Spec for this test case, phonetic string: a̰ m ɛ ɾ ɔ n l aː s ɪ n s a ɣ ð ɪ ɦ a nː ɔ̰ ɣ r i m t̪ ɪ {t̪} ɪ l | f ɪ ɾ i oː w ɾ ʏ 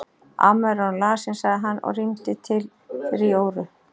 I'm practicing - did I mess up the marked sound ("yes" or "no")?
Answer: yes